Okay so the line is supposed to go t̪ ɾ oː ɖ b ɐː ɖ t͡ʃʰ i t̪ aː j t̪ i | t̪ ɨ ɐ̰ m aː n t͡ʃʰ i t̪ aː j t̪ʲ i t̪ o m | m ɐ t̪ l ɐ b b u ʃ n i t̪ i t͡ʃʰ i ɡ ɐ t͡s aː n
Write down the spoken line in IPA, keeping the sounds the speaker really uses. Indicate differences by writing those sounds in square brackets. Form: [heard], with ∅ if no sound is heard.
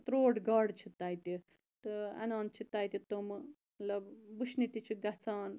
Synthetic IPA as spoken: t̪ ɾ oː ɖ [ɡ] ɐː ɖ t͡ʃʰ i t̪ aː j t̪ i | t̪ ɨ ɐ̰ [n] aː n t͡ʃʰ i t̪ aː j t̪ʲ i t̪ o m | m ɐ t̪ l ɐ b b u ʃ n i t̪ i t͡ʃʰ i ɡ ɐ t͡s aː n